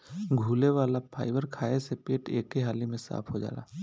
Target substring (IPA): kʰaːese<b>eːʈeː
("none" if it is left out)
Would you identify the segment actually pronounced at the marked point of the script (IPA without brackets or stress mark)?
p